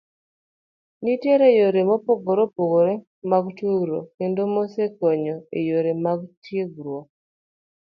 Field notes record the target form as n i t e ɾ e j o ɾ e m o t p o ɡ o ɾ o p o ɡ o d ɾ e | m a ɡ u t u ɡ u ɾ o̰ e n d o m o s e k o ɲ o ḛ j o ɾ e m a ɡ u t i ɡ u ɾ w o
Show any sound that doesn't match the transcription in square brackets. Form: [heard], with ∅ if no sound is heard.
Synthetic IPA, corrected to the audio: n i t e ɾ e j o ɾ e m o [∅] p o ɡ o ɾ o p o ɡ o [∅] ɾ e | m a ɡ u t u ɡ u ɾ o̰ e n d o m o s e k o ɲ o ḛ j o ɾ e m a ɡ u t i ɡ u ɾ w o